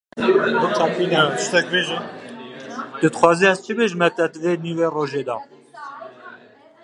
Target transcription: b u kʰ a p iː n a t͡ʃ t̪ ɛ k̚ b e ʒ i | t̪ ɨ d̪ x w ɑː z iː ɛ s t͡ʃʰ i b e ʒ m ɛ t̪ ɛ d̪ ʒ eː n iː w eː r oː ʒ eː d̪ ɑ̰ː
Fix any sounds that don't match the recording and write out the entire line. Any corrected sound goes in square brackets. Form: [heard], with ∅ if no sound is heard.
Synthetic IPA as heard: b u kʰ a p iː n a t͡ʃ t̪ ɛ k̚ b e ʒ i | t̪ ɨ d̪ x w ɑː z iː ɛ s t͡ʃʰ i b e ʒ m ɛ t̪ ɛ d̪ [v] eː n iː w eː r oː ʒ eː d̪ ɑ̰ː